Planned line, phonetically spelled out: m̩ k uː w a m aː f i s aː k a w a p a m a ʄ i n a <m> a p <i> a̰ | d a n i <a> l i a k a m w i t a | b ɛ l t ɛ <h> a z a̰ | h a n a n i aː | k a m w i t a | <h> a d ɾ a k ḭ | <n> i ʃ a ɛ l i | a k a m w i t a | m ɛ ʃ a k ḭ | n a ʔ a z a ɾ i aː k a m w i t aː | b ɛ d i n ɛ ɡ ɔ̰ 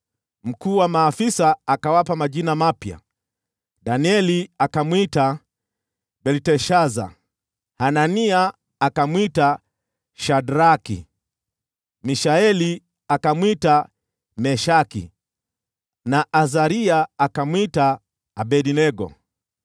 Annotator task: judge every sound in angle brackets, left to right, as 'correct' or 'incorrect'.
correct, incorrect, incorrect, incorrect, incorrect, incorrect

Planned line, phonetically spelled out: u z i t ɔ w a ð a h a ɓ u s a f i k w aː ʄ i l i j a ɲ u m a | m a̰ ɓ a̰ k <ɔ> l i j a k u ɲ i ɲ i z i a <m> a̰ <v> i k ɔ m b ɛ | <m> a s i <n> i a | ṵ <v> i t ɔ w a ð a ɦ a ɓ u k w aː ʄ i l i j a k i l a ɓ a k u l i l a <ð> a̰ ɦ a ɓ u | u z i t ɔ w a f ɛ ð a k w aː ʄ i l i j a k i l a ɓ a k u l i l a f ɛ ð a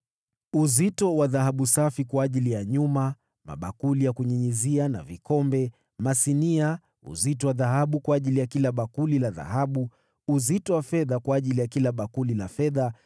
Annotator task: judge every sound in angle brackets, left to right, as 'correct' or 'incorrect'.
incorrect, incorrect, correct, correct, correct, incorrect, correct

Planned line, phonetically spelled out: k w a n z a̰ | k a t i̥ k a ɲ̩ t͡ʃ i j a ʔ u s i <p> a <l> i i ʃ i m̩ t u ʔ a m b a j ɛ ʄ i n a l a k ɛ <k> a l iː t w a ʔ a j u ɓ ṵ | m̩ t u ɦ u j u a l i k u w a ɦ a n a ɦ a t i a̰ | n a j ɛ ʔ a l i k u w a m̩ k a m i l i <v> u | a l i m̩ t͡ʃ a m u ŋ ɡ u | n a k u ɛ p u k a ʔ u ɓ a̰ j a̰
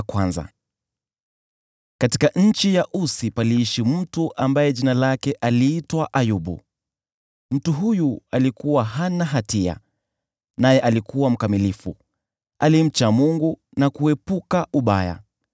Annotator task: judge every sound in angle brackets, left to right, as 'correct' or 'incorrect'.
correct, correct, incorrect, incorrect

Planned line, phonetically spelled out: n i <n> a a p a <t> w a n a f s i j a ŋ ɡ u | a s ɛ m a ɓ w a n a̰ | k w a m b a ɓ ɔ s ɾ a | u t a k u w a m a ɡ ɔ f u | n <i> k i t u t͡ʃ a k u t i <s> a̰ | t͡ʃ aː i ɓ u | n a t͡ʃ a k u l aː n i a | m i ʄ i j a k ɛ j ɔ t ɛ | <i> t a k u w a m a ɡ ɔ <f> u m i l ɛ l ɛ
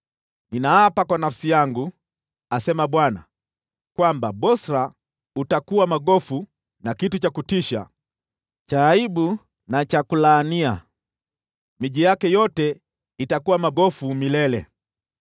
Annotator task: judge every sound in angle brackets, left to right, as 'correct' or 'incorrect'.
correct, incorrect, incorrect, incorrect, correct, correct

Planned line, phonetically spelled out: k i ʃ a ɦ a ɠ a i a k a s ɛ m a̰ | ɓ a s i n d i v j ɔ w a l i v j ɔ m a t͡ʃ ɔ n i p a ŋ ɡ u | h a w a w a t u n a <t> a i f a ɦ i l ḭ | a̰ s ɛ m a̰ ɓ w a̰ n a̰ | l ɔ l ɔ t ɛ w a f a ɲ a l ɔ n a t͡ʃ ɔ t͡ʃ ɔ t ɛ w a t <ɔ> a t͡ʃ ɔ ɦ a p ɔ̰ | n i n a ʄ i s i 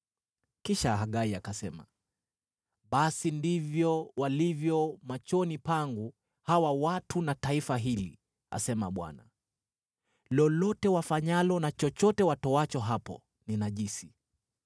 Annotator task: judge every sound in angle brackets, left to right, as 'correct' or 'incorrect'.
correct, correct

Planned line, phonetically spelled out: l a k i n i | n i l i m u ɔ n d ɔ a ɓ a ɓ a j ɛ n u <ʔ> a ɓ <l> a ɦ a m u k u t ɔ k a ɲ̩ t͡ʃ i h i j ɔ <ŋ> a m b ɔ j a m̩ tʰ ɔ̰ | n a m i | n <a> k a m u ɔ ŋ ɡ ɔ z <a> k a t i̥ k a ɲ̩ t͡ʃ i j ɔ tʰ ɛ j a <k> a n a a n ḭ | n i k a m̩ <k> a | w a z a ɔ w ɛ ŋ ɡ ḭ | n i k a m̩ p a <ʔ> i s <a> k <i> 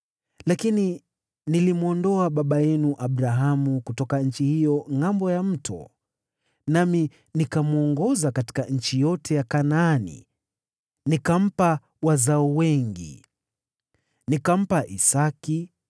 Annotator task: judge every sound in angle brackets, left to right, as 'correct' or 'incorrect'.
correct, incorrect, correct, incorrect, correct, correct, incorrect, correct, correct, correct

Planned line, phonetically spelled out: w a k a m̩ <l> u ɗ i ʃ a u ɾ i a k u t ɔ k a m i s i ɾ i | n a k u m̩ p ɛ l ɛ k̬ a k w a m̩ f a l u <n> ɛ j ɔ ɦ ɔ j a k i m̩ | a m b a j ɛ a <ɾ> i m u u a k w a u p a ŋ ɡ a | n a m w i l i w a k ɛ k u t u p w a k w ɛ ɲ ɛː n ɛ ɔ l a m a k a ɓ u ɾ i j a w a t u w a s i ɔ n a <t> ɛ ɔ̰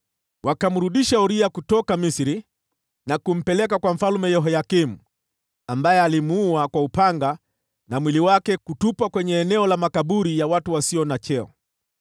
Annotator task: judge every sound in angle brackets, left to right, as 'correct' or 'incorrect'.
incorrect, incorrect, incorrect, incorrect

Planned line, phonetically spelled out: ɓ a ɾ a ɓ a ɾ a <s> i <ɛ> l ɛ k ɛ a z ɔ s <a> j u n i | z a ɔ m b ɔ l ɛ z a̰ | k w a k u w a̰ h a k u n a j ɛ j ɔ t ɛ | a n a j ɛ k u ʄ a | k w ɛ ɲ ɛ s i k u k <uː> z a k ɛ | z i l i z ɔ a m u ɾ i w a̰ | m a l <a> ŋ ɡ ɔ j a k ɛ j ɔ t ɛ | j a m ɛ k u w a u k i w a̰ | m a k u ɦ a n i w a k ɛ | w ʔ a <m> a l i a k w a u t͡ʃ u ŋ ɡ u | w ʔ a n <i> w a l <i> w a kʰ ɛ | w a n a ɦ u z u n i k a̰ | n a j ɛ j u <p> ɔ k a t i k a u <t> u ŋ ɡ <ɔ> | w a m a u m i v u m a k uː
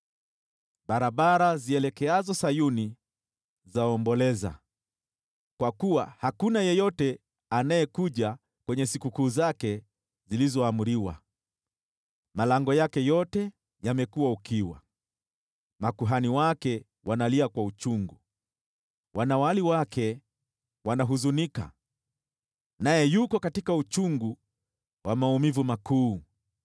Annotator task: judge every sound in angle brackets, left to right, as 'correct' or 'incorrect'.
incorrect, correct, correct, correct, correct, incorrect, incorrect, correct, incorrect, incorrect, incorrect

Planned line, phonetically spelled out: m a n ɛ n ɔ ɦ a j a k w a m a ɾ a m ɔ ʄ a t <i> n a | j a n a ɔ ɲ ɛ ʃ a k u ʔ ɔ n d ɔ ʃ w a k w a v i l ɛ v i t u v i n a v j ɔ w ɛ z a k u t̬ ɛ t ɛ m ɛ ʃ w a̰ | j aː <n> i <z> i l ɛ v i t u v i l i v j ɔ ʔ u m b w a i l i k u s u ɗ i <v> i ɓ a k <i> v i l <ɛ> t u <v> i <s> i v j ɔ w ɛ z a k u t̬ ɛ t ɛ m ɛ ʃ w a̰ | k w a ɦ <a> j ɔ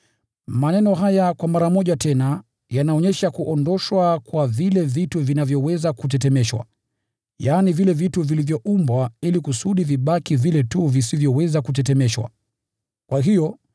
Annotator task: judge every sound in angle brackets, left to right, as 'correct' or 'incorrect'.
incorrect, correct, incorrect, correct, correct, correct, correct, correct, incorrect

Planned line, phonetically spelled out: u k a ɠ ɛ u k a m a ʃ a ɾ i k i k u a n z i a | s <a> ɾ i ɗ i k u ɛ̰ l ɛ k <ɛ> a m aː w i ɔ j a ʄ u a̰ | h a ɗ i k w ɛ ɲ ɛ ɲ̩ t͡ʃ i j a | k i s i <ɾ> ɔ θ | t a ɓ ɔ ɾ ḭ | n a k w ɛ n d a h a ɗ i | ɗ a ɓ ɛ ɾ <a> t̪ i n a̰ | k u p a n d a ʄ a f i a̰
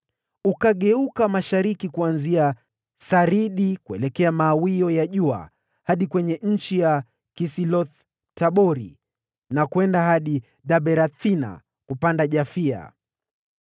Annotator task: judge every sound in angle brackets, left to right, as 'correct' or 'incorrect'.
correct, correct, incorrect, correct

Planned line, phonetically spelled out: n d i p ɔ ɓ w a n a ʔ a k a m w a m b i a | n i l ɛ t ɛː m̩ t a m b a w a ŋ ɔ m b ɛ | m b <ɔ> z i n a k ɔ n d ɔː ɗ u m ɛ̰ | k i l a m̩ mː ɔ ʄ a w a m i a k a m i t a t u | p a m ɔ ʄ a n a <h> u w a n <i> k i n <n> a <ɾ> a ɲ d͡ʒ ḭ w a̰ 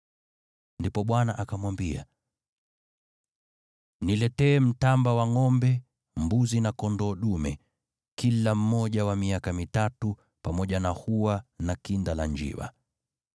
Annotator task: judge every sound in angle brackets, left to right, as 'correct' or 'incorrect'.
incorrect, correct, incorrect, incorrect, incorrect

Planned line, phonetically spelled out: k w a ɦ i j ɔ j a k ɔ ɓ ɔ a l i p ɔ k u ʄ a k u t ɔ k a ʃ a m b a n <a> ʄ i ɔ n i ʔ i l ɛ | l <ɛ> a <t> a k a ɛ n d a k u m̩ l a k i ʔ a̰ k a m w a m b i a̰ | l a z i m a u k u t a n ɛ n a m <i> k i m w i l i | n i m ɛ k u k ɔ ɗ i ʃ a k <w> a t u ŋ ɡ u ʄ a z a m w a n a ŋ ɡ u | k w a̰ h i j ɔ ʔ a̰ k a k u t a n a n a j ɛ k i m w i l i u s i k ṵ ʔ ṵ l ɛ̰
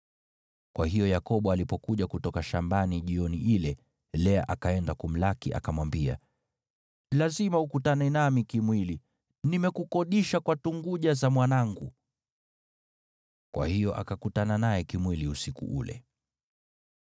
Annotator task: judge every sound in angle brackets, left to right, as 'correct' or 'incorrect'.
incorrect, correct, incorrect, correct, correct

